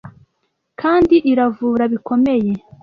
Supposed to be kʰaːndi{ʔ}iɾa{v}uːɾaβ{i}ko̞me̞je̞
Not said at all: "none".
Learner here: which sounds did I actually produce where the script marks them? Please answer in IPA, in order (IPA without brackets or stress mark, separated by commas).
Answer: ʔ, v, i